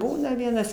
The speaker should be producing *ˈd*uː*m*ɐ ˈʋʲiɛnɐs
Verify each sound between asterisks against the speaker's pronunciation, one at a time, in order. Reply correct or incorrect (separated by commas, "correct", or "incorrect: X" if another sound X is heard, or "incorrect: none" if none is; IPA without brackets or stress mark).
incorrect: b, incorrect: n